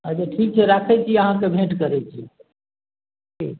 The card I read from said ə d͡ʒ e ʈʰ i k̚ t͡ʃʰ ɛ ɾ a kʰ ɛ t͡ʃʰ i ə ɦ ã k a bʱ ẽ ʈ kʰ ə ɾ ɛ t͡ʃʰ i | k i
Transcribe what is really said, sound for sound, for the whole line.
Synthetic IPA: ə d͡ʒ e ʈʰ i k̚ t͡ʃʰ ɛ ɾ a kʰ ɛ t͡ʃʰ i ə ɦ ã k e bʱ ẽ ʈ k ə ɾ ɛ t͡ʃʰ i | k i